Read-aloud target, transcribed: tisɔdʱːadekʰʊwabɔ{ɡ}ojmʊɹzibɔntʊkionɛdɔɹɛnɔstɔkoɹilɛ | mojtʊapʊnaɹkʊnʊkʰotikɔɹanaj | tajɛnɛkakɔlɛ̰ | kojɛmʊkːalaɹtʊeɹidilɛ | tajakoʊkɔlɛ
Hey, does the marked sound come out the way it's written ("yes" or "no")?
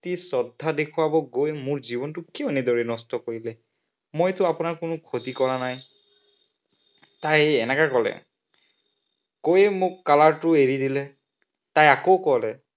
yes